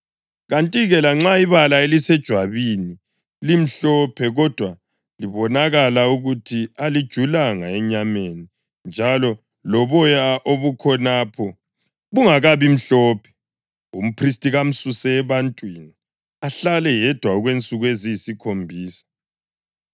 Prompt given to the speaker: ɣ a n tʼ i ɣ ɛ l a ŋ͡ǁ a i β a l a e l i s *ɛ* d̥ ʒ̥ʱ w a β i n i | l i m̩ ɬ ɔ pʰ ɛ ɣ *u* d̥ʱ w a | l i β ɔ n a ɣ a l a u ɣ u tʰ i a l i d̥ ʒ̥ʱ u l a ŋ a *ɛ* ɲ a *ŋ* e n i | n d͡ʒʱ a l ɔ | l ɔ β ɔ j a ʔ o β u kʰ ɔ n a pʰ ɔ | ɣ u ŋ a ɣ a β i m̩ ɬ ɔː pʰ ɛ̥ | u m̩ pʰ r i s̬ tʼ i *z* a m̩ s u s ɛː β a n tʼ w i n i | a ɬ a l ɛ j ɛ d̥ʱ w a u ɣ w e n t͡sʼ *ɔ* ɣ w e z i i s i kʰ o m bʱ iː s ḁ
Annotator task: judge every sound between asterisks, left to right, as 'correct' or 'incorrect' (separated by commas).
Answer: correct, incorrect, correct, incorrect, incorrect, incorrect